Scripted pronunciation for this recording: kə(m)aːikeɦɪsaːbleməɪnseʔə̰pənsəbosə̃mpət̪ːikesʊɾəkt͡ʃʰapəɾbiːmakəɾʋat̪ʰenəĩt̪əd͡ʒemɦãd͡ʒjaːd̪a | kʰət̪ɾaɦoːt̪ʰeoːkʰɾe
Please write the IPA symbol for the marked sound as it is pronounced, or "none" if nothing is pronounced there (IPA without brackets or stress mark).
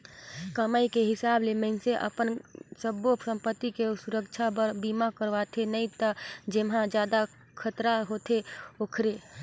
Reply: m